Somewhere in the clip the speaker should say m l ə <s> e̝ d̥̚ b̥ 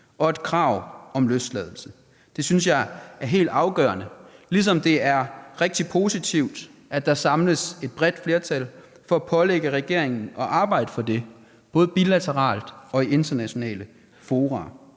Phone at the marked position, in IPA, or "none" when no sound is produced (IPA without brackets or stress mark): s